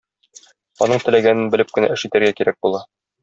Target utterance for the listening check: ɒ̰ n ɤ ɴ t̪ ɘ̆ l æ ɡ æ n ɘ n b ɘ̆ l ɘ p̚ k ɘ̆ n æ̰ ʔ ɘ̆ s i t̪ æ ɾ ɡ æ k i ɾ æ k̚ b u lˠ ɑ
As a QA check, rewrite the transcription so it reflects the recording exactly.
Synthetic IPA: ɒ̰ n ɤ ɴ t̪ ɘ̆ l æ ɡ æ n ɘ n b ɘ̆ l ɘ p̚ k ɘ̆ n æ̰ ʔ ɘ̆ ʃ i t̪ æ ɾ ɡ æ k i ɾ æ k̚ b u lˠ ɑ